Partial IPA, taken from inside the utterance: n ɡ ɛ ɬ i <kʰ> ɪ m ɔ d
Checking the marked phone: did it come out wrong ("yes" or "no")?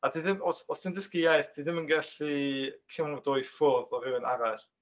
no